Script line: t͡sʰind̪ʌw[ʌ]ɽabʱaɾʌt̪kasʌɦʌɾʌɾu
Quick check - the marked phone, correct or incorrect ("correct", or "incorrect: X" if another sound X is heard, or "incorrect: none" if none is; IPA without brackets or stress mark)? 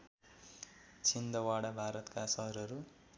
incorrect: a